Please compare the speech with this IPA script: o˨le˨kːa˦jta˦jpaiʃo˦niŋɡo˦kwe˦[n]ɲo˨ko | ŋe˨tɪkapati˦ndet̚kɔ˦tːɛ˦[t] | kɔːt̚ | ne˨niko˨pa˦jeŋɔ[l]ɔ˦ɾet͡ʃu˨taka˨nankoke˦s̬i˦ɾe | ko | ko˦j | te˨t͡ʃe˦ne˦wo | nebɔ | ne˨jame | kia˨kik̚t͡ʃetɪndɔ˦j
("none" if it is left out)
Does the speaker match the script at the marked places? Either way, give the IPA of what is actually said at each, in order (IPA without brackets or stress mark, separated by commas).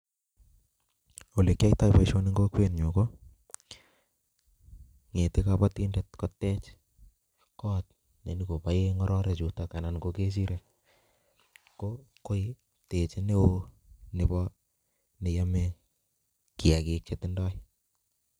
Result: n, t͡ʃ, ɾ